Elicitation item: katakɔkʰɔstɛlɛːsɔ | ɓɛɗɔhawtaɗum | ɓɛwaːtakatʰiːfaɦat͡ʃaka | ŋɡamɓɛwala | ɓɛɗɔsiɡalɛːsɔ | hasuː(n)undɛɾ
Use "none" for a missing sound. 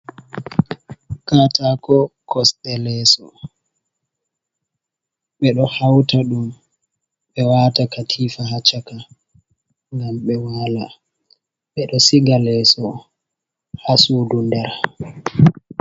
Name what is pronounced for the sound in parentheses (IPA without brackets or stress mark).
d